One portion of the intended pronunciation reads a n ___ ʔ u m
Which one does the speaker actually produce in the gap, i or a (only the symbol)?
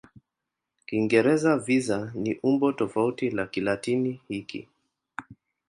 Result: i